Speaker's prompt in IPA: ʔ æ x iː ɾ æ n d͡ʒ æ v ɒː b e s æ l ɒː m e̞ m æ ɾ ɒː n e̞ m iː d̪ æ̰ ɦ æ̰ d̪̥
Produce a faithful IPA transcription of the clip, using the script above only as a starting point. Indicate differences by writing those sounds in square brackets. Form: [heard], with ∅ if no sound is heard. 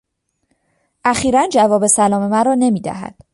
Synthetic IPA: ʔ æ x iː ɾ æ n d͡ʒ æ v ɒː b e s æ l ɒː m e̞ m æ ɾ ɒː n e̞ m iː d̪ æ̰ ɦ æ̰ d̪̥